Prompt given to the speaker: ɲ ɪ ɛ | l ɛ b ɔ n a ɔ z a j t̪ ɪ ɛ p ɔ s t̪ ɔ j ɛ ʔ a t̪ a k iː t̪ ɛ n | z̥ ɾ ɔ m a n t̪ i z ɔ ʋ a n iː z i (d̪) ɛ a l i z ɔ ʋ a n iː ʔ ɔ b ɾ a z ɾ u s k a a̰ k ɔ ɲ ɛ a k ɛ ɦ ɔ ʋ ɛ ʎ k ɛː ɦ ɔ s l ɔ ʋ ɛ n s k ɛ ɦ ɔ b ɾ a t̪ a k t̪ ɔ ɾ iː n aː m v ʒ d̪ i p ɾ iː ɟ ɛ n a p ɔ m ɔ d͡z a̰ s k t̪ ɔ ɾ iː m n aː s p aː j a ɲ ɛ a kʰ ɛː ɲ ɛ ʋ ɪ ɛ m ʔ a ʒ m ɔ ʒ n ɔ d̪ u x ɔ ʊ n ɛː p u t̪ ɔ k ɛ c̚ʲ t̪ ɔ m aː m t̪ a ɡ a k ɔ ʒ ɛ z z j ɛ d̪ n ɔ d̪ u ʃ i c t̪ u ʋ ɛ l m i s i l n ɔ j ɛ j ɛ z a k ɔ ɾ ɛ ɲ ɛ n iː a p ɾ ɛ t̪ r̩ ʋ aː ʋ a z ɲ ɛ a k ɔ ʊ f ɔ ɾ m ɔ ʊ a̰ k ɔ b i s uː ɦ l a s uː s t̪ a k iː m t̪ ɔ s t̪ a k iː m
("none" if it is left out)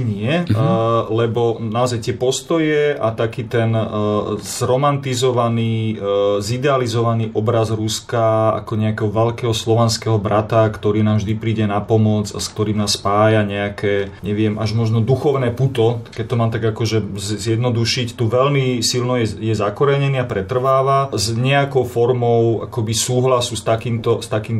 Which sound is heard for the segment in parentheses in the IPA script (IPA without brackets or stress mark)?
d̪